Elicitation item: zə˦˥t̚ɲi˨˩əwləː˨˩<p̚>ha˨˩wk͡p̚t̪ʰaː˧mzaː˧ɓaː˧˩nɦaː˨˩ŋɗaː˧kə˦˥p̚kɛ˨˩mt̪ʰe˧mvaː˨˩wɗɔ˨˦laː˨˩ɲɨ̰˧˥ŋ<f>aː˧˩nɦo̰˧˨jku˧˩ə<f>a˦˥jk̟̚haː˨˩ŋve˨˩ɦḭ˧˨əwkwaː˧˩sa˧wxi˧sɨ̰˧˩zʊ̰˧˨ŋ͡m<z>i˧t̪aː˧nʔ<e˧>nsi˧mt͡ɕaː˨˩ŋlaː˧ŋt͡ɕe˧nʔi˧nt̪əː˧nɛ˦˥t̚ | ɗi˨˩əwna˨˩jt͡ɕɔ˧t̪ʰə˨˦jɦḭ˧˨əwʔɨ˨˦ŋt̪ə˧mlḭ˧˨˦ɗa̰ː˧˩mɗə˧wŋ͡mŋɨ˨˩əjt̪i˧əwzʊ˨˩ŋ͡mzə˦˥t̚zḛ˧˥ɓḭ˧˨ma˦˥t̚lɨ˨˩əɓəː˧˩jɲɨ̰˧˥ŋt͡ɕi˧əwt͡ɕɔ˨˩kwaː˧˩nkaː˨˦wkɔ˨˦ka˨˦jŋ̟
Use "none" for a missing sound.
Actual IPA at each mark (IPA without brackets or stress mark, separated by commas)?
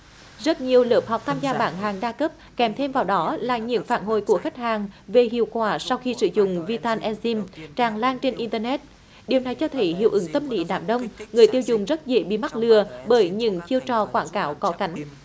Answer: p̚, f, x, v, ɛ˧